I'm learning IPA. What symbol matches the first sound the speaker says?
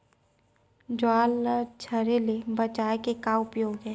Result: d͡ʒ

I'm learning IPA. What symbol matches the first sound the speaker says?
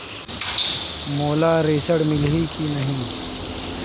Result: m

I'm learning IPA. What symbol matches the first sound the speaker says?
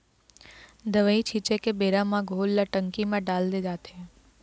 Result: d̪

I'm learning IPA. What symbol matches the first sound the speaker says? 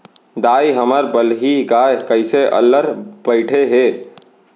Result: d̪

